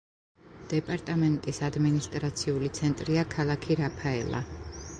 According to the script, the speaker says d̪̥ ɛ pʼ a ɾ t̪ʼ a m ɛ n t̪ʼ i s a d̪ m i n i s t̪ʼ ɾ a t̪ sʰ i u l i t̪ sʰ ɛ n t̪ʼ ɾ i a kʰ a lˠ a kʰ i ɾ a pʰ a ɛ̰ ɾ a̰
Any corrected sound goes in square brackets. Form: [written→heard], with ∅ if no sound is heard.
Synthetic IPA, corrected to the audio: d̪̥ ɛ pʼ a ɾ t̪ʼ a m ɛ n t̪ʼ i s a d̪ m i n i s t̪ʼ ɾ a t̪ sʰ i u l i t̪ sʰ ɛ n t̪ʼ ɾ i a kʰ a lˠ a kʰ i ɾ a pʰ a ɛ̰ [ɾ→l] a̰